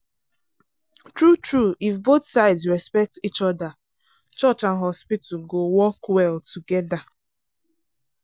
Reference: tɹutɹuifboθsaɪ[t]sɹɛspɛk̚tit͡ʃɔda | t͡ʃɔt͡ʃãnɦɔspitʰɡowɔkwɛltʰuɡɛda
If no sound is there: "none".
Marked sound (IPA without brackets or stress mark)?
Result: d